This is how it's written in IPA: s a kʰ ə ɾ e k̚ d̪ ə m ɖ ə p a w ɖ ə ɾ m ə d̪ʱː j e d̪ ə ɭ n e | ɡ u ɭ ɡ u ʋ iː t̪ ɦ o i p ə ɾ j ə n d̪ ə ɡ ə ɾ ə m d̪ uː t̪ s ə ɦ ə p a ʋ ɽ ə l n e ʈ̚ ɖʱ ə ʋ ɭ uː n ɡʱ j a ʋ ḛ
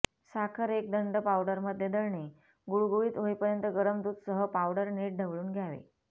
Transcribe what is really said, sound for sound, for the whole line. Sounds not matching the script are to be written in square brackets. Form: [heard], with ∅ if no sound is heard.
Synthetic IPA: s a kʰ ə ɾ e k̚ d̪ ə [ɳ] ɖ ə p a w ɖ ə ɾ m ə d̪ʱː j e d̪ ə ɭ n e | ɡ u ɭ ɡ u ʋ iː t̪ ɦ o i p ə ɾ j ə n [t̪] ə ɡ ə ɾ ə m d̪ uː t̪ s ə ɦ ə p a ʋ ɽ ə [ɾ] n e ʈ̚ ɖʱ ə ʋ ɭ uː n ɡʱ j a ʋ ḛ